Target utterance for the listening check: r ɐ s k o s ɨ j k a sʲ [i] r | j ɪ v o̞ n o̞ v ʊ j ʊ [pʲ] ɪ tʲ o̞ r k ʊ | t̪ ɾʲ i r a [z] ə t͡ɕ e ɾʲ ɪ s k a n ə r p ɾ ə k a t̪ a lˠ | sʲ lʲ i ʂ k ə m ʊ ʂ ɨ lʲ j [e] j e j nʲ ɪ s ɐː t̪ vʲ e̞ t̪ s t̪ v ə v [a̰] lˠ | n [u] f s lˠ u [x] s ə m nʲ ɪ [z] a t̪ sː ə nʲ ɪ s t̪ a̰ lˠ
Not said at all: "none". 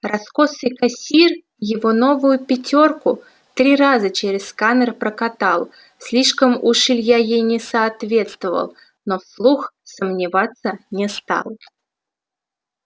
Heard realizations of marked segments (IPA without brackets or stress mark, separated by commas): i, pʲ, z, a, ə̰, o, x, v